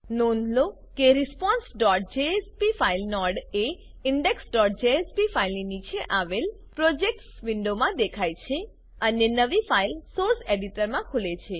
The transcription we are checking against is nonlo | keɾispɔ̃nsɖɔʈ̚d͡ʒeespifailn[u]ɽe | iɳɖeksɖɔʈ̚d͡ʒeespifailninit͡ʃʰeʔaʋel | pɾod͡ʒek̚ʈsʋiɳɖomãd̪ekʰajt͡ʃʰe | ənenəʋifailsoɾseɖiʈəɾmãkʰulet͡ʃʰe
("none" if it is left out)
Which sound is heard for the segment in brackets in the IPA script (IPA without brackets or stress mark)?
ɔ